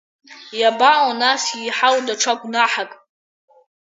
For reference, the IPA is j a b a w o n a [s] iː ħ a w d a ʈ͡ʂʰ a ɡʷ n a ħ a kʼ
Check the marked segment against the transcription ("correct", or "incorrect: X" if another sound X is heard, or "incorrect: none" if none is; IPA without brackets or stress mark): correct